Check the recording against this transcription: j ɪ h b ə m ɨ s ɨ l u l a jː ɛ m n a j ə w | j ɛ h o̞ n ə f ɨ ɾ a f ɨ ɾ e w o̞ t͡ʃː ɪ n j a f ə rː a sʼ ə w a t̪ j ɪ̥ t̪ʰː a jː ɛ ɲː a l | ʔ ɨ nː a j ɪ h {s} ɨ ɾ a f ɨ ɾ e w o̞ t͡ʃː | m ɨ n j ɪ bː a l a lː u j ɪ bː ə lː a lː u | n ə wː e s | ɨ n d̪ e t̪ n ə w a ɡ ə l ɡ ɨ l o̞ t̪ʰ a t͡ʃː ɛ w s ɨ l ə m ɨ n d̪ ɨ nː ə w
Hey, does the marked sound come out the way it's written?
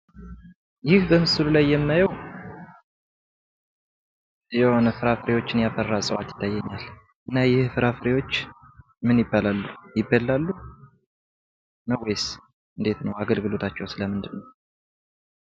no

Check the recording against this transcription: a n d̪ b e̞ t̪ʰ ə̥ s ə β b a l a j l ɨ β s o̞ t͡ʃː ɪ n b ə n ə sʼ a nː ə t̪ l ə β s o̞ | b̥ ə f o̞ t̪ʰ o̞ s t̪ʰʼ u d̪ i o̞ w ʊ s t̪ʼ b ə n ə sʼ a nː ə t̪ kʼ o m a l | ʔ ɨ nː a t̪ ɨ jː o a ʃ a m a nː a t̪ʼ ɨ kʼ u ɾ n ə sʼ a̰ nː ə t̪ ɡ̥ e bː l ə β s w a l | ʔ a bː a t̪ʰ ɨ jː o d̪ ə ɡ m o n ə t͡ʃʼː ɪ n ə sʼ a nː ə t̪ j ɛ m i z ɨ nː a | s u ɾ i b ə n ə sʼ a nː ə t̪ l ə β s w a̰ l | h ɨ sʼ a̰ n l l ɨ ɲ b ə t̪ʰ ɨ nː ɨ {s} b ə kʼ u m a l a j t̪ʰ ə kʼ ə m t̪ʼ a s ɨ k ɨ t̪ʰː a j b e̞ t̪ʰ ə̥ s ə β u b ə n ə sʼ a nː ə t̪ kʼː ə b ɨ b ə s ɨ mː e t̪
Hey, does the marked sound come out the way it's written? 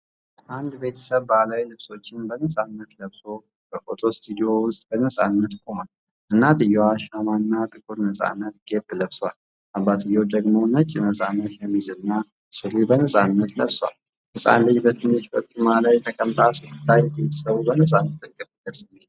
no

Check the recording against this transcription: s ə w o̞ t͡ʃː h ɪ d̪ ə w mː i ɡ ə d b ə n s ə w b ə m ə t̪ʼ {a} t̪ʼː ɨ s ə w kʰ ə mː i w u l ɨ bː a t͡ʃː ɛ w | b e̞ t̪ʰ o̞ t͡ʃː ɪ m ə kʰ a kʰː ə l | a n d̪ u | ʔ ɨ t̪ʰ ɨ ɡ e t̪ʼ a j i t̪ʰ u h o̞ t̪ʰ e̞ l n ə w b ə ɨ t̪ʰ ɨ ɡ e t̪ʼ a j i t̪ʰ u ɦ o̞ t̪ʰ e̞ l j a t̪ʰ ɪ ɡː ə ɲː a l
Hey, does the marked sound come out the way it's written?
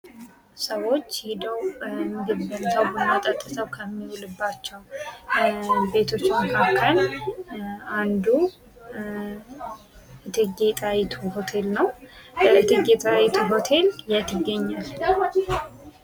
no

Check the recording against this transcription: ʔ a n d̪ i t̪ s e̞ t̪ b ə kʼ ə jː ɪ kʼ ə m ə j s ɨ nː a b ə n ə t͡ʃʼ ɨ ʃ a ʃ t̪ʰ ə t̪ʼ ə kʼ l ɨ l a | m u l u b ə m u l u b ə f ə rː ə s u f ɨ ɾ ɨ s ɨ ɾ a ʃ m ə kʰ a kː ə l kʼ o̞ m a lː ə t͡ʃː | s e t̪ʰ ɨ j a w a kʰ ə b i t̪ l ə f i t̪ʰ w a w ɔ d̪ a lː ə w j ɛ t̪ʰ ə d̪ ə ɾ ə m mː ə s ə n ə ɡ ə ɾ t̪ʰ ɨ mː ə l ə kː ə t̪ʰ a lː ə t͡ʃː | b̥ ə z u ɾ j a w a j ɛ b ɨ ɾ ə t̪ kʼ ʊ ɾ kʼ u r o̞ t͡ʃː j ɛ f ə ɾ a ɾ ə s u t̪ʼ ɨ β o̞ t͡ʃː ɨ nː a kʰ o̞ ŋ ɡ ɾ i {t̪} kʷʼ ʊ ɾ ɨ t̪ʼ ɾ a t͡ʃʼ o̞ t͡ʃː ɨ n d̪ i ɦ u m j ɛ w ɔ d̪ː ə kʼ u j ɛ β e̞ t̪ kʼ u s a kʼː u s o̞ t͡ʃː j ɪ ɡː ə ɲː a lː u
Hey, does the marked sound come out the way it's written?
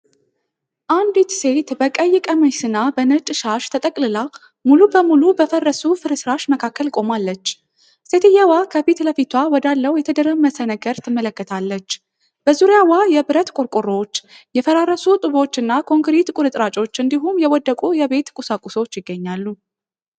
yes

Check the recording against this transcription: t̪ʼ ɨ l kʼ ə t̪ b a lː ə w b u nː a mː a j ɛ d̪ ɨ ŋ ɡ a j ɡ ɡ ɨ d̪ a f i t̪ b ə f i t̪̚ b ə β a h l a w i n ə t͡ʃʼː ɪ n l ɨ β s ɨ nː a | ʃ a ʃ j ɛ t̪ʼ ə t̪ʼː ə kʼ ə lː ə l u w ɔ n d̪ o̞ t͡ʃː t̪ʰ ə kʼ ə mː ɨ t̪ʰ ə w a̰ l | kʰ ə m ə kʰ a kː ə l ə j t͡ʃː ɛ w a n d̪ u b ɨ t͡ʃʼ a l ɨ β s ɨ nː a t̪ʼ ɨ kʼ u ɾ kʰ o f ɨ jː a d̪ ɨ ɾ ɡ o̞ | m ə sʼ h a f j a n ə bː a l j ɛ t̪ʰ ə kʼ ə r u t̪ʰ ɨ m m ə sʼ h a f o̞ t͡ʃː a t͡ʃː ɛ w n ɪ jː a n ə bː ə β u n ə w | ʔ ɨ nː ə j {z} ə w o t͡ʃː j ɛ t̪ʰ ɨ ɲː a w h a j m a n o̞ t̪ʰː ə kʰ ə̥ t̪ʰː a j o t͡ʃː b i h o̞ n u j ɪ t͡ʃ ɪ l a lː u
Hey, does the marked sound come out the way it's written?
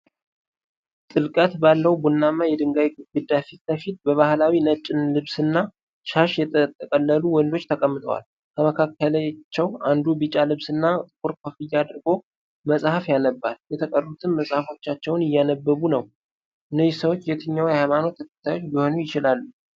no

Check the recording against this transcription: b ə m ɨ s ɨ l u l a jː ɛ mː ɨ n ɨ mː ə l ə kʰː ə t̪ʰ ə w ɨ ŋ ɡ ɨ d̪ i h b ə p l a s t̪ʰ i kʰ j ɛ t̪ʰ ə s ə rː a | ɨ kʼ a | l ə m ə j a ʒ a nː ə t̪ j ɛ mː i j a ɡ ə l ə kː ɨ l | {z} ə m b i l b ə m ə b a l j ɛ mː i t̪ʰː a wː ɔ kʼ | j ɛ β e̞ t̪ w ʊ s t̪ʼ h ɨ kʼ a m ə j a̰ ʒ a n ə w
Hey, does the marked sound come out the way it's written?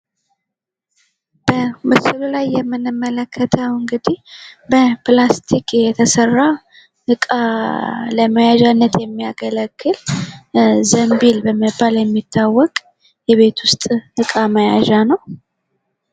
yes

